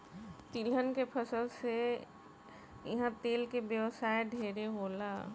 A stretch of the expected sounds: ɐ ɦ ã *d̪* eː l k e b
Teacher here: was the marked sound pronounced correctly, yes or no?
no